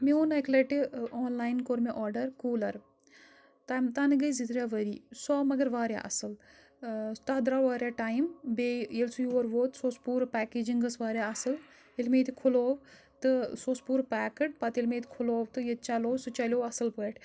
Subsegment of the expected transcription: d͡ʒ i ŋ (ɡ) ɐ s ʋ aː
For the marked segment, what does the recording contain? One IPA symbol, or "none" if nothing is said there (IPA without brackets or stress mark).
ɡ